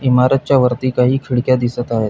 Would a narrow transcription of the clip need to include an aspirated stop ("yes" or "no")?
yes